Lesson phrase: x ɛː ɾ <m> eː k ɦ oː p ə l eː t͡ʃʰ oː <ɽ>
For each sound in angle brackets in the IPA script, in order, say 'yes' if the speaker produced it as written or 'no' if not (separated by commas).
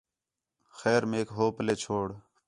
yes, yes